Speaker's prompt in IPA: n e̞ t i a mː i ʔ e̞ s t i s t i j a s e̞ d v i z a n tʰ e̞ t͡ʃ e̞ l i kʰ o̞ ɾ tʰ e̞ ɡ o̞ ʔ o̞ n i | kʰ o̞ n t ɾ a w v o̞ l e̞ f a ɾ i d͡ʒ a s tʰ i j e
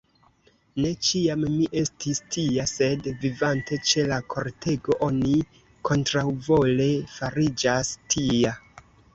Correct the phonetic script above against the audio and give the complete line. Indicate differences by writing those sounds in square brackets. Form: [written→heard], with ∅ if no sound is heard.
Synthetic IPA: n e̞ [t→t͡ʃ] i a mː i ʔ e̞ s t i s t i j a s e̞ d v i [z→v] a n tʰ e̞ t͡ʃ e̞ l [i→a] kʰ o̞ ɾ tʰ e̞ ɡ o̞ ʔ o̞ n i | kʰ o̞ n t ɾ a w v o̞ l e̞ f a ɾ i d͡ʒ a s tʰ i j [e→a]